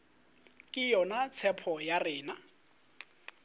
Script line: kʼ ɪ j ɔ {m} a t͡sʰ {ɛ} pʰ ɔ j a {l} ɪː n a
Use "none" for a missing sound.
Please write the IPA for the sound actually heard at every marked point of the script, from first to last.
n, ɛ, r

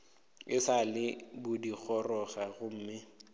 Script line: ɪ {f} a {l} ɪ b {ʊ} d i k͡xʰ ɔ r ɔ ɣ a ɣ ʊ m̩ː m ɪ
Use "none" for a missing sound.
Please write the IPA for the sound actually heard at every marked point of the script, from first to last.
s, l, ʊ

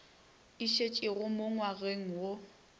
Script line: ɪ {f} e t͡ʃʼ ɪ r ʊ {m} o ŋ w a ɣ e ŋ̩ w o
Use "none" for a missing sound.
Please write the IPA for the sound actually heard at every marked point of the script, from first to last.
ʃ, m

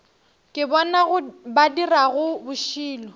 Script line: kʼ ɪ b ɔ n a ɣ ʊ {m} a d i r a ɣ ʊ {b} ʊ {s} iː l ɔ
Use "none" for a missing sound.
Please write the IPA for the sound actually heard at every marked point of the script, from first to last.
b, b, ʃ

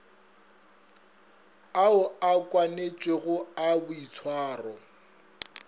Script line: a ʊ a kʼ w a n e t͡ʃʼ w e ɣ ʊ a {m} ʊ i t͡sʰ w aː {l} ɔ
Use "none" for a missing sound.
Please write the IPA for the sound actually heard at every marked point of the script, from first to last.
b, r

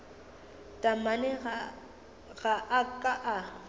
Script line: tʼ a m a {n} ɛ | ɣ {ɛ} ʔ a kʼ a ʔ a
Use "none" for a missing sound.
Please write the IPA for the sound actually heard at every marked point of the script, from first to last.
n, a

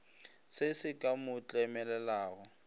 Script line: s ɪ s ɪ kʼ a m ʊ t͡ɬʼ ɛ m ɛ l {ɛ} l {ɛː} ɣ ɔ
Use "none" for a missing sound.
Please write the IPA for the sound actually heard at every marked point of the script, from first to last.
ɛ, aː

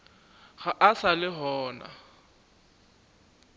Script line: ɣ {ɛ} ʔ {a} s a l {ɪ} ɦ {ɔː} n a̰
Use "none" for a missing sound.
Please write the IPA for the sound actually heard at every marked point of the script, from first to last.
a, a, ɪ, ɔː

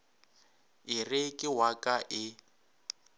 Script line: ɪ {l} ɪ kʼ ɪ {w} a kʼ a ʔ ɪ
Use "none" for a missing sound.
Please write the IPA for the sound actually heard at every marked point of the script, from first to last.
r, w

